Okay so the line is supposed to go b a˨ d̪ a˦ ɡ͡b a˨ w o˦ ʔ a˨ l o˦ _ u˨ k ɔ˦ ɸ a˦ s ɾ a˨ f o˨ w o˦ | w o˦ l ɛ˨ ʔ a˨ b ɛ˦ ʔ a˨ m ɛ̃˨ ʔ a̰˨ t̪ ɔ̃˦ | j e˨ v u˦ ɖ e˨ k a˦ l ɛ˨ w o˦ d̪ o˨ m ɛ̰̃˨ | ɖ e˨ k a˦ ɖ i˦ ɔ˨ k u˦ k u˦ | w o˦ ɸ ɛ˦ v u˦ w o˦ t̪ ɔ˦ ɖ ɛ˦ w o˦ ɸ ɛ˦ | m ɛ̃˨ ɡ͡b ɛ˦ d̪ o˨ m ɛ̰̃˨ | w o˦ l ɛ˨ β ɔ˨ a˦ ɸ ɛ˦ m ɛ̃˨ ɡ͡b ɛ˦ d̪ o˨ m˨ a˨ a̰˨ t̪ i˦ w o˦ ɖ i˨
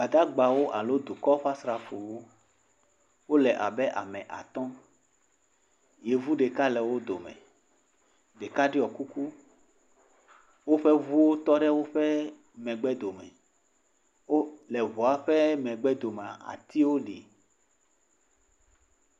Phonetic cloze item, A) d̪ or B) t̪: A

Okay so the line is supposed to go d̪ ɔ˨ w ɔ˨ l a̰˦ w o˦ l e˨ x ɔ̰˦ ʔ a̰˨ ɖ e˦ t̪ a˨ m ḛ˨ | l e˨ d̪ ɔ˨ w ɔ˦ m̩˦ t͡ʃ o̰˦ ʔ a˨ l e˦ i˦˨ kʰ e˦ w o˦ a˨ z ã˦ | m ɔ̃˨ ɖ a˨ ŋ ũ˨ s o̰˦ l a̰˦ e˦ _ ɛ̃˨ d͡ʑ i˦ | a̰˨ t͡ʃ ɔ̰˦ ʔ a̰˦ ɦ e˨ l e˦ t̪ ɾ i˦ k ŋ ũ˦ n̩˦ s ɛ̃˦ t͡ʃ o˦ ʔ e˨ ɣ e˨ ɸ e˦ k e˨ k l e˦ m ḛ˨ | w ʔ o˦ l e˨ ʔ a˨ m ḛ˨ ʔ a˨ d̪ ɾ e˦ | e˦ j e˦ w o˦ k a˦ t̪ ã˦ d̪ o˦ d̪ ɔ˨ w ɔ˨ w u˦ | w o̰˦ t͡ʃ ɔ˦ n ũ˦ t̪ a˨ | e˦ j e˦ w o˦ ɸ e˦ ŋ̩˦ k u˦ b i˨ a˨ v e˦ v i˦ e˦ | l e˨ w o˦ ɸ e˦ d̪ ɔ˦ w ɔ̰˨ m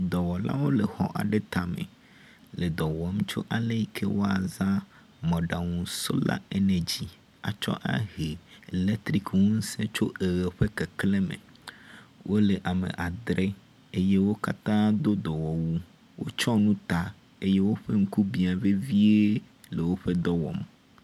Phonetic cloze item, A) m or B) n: B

